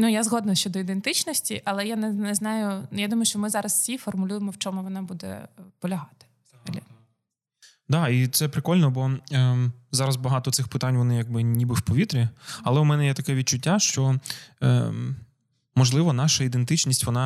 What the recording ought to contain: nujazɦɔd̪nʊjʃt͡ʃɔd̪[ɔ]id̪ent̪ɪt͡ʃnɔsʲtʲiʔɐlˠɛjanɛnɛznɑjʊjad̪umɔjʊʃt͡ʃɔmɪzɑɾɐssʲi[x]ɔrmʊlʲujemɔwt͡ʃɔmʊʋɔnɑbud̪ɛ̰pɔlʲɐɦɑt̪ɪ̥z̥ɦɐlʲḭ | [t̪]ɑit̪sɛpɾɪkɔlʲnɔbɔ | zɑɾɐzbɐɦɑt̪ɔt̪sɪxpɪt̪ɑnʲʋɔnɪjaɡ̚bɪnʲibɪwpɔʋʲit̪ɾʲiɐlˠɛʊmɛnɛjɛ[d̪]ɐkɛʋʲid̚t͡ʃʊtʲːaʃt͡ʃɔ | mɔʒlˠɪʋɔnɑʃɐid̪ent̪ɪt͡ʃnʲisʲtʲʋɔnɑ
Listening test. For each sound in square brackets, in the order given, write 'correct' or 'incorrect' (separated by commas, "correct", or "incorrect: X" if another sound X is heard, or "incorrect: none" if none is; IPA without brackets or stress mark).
correct, incorrect: f, incorrect: d̪, incorrect: t̪